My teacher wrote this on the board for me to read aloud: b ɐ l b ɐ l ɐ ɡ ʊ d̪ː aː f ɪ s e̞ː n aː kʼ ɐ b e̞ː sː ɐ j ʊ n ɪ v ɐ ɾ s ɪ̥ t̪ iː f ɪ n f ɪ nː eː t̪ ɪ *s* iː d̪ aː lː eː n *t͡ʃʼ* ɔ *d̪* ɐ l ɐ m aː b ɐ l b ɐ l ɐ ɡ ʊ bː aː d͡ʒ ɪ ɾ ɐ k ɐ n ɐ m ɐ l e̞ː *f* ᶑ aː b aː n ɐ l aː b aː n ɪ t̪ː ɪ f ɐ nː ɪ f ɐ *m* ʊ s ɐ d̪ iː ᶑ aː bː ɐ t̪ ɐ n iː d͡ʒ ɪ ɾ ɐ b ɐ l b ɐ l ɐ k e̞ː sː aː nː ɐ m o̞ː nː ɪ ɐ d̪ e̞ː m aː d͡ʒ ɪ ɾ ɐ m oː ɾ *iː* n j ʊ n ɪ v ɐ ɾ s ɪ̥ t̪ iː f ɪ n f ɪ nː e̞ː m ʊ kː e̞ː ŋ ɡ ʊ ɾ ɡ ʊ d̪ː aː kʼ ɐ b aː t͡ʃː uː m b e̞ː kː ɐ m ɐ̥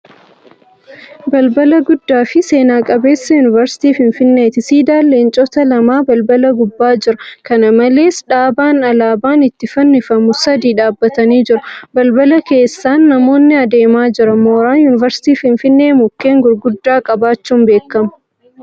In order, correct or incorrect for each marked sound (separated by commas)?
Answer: correct, correct, incorrect, incorrect, correct, incorrect